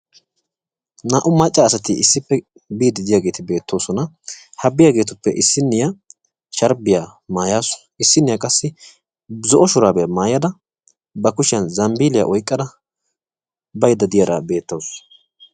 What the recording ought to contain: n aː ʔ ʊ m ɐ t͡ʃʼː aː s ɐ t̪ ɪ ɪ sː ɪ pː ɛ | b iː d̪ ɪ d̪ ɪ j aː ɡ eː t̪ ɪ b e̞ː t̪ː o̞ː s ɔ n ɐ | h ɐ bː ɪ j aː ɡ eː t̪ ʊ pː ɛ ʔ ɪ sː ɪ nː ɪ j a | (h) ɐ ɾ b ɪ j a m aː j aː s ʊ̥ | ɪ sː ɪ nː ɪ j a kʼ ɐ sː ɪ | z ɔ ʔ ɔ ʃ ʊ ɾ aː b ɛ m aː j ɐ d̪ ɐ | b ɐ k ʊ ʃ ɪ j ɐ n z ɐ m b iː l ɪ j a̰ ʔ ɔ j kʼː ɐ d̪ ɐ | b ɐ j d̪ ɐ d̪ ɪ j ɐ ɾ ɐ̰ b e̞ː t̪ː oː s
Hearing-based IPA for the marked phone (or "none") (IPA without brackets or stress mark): ʃ